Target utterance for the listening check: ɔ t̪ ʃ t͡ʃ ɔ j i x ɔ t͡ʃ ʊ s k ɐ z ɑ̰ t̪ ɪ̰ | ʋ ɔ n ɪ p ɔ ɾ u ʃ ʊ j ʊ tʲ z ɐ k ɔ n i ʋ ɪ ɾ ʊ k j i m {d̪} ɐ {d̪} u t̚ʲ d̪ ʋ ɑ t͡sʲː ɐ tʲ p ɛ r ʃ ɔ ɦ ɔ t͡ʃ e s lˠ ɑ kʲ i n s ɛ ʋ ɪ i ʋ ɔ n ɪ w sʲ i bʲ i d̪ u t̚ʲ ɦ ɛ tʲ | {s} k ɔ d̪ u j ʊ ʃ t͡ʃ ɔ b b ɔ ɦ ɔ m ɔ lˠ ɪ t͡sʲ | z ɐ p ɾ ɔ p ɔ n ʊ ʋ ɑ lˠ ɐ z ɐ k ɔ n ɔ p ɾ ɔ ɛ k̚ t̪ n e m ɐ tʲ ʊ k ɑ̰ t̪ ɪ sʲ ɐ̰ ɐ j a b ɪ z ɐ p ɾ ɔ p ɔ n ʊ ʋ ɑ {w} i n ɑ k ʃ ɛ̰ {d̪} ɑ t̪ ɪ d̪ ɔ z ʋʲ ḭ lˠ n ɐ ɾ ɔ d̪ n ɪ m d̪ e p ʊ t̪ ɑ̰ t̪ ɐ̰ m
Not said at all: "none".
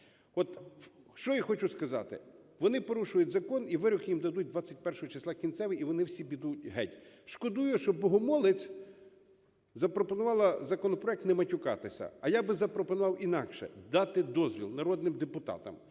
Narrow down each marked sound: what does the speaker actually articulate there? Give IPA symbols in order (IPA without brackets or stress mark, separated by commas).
d̪, d̪, ʃ, w, d̪